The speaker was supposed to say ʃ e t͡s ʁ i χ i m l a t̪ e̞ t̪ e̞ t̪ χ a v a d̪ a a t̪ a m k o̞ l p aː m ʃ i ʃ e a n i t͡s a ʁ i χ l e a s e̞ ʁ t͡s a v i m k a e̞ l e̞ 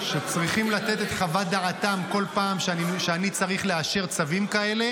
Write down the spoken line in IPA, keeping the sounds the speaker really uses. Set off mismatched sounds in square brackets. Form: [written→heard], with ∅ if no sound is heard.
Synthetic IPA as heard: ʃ e t͡s ʁ i χ i m l a t̪ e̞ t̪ e̞ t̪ χ a v a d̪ a a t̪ a m k o̞ l p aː m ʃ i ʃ e a n i t͡s a ʁ i χ l e a [s→ʃ] e̞ ʁ t͡s a v i m k a e̞ l e̞